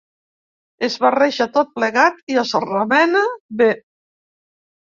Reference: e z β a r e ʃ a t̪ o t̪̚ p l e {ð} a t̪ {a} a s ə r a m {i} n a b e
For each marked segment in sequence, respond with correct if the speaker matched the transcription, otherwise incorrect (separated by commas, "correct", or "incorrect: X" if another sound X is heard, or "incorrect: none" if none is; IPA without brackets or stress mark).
incorrect: ɣ, incorrect: i, incorrect: ɛ